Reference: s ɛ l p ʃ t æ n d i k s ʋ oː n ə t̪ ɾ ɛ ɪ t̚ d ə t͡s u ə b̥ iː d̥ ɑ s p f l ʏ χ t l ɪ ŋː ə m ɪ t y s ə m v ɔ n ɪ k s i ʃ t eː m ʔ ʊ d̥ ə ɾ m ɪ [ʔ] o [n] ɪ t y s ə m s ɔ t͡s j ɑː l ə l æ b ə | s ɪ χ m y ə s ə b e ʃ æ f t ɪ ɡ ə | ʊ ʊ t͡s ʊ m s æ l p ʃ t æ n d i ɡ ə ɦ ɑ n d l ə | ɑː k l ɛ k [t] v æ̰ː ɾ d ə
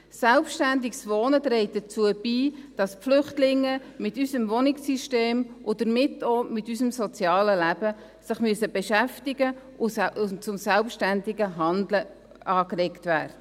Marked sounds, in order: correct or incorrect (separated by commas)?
incorrect, incorrect, correct